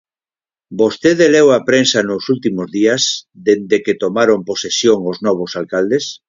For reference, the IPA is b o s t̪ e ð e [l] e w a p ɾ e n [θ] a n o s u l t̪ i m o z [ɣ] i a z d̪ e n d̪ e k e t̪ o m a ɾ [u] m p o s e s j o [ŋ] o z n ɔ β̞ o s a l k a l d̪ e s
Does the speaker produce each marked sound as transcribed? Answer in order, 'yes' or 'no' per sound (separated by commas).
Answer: yes, no, no, no, yes